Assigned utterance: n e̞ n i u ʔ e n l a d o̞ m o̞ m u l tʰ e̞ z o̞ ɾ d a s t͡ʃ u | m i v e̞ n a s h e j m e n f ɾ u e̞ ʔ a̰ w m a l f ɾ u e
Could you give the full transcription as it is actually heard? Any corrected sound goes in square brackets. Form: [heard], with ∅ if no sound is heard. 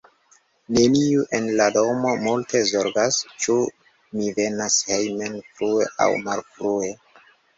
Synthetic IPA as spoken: n e̞ n i u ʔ e n l a d o̞ m o̞ m u l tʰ e̞ z o̞ ɾ [ɡ] a s t͡ʃ u | m i v e̞ n a s h e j m e n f ɾ u e̞ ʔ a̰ w m a l f ɾ u e